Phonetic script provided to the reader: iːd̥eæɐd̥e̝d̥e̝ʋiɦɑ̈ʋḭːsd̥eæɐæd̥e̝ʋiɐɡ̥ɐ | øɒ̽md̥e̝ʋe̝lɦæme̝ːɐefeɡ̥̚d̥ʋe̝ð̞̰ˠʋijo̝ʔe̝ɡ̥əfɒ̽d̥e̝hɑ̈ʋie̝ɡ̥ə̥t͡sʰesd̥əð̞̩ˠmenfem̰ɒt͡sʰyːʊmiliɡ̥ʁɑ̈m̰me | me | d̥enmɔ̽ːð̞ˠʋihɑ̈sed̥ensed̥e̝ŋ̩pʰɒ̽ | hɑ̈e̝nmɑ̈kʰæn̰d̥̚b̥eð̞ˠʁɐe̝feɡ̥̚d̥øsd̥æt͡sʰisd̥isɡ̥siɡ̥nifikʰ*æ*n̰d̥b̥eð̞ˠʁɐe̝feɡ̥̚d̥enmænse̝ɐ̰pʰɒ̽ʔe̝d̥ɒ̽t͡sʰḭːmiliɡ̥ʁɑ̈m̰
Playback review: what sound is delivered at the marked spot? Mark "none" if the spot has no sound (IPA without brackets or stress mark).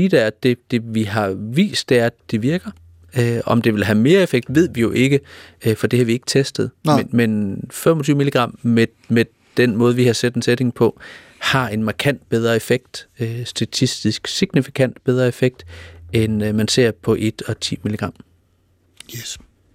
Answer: æ